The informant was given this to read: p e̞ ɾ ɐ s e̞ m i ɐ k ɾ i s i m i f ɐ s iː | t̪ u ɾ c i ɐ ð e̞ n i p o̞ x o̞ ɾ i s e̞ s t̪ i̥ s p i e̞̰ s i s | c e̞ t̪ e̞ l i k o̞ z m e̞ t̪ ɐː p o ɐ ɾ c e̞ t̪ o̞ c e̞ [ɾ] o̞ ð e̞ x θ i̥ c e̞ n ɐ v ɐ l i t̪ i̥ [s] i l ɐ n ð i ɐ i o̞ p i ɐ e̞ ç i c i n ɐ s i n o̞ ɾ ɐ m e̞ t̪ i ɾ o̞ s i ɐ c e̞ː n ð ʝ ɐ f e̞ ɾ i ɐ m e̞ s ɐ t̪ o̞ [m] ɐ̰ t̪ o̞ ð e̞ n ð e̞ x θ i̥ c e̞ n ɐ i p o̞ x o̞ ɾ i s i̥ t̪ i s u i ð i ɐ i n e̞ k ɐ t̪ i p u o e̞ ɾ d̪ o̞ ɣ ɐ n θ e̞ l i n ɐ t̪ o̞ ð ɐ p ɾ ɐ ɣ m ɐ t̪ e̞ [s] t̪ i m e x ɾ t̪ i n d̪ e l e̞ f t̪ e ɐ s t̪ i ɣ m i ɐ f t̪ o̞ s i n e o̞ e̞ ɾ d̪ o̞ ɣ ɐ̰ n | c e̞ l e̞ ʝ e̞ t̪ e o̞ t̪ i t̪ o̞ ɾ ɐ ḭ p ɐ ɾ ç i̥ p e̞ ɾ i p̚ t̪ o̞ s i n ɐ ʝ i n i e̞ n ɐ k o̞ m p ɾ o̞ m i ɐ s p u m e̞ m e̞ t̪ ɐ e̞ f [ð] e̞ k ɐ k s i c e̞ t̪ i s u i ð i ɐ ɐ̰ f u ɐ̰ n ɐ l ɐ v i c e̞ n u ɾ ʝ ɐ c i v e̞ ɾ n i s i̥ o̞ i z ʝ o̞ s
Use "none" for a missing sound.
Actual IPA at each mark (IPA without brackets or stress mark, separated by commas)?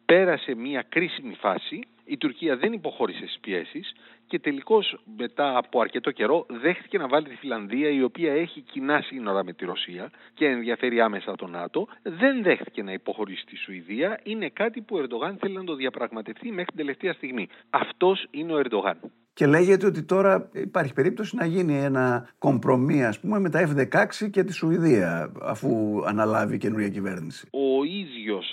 ɾ, f, n, f, ð